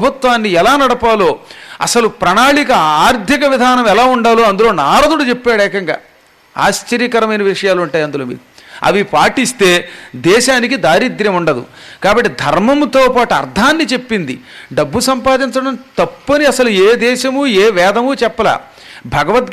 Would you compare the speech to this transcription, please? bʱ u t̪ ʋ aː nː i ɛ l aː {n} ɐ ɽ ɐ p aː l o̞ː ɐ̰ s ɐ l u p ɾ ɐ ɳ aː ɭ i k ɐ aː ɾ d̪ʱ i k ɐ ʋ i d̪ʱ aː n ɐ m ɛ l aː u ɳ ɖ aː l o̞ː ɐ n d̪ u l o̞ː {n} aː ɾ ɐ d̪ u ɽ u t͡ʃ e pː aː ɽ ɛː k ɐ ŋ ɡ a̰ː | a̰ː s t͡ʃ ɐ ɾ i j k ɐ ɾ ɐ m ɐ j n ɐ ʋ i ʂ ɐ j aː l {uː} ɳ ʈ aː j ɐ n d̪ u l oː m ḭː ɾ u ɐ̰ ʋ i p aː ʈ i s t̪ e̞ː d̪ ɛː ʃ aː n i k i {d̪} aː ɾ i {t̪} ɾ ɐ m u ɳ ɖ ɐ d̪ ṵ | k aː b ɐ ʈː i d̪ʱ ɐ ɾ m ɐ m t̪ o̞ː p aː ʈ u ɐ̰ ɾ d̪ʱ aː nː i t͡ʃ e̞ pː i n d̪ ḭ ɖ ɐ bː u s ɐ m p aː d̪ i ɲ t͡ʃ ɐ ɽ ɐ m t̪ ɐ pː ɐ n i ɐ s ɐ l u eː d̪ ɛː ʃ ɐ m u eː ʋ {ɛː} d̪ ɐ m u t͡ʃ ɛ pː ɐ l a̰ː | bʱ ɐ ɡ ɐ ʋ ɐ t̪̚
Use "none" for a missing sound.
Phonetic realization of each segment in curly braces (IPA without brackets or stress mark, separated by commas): n, n, u, d̪, d̪, ɛː